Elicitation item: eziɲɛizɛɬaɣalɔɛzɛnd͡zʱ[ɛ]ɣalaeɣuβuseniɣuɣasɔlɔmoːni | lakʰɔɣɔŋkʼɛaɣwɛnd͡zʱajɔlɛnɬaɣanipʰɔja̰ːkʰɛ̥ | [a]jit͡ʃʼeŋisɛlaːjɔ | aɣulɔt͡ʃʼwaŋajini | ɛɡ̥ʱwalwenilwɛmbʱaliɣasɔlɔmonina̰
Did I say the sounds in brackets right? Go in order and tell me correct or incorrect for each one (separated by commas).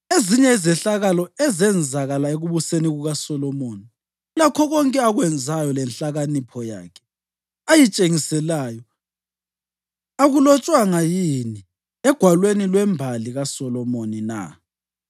incorrect, correct